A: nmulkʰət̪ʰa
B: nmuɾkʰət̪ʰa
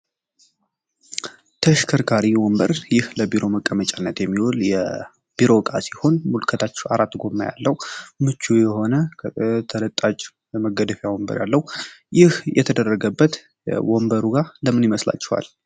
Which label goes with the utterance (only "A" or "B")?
A